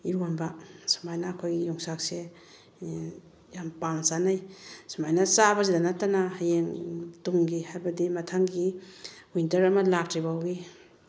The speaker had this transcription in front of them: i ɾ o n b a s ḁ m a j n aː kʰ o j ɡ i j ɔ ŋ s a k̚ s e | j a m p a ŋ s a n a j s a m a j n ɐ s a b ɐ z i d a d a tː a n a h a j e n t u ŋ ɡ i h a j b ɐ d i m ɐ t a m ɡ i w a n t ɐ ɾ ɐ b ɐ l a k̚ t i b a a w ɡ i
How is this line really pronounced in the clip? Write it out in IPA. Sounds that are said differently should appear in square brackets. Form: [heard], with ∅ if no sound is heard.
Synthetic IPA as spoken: i ɾ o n b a s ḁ m a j n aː kʰ o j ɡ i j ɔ ŋ s a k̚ s e | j a m p a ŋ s a n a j s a m a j n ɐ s a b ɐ z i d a [n] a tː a n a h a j e [ŋ] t u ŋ ɡ i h a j b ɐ d i m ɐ [tʰ] a [ŋ] ɡ i w [i] n t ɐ ɾ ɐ [m] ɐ l a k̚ t i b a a w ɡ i